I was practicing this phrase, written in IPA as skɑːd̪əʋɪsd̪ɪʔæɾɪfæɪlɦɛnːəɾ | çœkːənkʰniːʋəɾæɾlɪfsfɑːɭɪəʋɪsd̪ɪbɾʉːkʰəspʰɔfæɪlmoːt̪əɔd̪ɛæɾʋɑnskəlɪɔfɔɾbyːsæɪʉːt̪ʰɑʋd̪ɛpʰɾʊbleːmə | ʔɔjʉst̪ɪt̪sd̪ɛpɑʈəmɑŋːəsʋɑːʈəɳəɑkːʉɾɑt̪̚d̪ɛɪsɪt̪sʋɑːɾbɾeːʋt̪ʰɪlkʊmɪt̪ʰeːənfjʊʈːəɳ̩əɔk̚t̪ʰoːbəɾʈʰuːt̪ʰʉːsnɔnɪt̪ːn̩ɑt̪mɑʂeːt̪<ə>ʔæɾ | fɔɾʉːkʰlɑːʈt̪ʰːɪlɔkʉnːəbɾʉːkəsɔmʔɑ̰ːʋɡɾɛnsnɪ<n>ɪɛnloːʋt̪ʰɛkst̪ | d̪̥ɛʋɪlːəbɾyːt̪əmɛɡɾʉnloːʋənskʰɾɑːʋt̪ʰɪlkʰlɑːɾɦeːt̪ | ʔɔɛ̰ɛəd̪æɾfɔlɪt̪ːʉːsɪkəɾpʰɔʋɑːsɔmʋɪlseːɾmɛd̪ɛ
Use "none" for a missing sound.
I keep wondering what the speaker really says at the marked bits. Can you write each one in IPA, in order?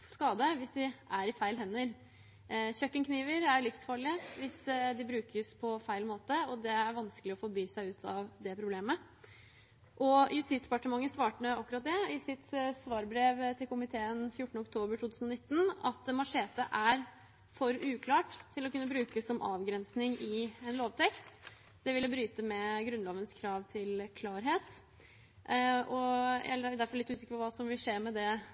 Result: ə, ŋ

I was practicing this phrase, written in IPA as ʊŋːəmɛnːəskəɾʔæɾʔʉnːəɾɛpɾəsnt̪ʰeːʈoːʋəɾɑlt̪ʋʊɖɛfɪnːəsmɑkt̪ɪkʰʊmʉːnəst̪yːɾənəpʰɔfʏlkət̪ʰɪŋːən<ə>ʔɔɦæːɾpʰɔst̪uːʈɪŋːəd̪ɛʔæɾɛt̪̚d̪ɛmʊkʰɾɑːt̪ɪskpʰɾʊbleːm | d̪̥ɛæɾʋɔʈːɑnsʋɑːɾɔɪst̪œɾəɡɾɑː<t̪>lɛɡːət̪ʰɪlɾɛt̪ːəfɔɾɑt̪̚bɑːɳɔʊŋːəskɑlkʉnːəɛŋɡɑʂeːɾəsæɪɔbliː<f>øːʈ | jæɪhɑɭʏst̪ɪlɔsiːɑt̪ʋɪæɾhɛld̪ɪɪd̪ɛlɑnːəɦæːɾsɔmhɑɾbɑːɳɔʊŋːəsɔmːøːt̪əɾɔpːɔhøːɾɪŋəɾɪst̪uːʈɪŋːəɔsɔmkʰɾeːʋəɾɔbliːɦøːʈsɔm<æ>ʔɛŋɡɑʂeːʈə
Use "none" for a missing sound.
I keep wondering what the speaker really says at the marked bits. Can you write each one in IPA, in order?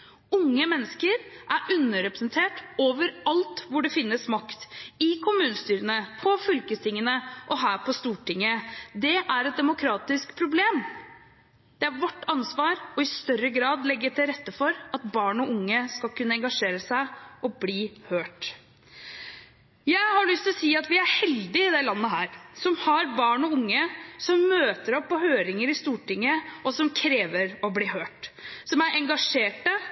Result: ə, d̪, h, æ

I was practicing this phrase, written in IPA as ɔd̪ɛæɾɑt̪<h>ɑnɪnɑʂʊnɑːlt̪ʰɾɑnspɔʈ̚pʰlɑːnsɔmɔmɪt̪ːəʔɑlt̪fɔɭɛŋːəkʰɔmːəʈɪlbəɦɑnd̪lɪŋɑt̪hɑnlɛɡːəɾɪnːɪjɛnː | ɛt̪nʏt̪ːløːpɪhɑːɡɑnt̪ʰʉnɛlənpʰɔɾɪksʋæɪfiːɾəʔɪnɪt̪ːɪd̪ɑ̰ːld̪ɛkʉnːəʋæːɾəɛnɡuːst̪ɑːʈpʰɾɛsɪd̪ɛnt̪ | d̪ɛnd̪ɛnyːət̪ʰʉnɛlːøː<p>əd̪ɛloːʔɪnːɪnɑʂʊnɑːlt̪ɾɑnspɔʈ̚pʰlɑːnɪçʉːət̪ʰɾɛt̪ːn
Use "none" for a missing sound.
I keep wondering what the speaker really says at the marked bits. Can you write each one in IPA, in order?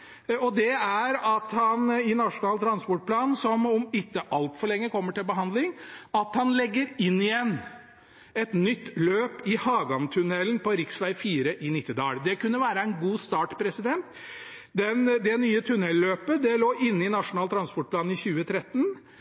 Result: h, p

